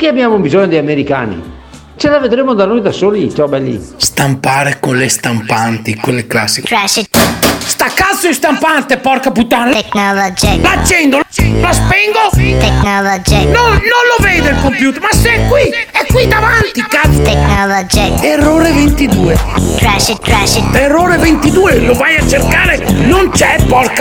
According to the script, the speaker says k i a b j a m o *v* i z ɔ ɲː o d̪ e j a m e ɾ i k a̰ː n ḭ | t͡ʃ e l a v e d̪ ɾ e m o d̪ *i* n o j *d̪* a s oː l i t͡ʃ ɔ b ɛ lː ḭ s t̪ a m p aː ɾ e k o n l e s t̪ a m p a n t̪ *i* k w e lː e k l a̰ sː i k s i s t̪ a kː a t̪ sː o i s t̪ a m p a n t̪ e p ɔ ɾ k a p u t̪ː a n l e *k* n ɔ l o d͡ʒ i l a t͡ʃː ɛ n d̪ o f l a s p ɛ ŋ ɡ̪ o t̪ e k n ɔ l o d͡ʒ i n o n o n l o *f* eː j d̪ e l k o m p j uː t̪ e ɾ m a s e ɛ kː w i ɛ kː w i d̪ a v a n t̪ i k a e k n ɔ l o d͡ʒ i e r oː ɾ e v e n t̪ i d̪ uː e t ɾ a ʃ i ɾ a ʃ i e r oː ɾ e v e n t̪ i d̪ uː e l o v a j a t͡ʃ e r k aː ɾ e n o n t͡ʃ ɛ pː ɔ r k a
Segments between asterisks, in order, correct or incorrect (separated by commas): incorrect, incorrect, correct, correct, correct, incorrect